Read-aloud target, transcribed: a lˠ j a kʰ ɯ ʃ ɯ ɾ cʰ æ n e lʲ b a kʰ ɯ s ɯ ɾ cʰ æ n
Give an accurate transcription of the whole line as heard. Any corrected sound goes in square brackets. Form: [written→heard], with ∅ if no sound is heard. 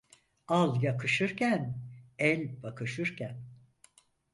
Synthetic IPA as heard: a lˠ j a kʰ ɯ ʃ ɯ ɾ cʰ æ n [e→ɛ] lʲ b a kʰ ɯ [s→ʃ] ɯ ɾ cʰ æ n